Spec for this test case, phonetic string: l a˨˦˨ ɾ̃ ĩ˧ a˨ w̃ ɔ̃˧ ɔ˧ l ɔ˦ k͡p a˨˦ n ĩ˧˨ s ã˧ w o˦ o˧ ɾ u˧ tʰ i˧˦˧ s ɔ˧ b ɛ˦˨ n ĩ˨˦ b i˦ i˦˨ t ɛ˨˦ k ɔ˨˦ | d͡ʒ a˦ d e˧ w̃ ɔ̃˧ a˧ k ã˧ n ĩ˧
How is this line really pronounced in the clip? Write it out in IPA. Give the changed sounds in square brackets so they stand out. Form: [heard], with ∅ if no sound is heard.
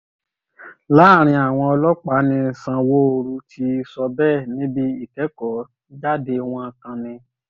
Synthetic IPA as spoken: l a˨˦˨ ɾ̃ ĩ˧ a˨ w̃ ɔ̃˧ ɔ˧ l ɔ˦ k͡p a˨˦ n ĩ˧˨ s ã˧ w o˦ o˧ ɾ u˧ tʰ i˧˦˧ s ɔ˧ b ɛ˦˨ n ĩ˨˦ b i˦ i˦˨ t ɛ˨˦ k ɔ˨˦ | d͡ʒ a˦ d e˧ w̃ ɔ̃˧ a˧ k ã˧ n ĩ˧